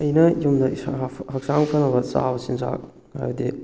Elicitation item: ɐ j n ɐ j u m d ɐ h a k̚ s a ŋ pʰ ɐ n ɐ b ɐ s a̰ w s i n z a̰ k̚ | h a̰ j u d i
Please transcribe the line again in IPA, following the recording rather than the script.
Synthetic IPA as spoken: ɐ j n ɐ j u m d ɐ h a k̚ s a ŋ pʰ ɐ n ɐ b ɐ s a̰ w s i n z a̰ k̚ | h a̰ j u d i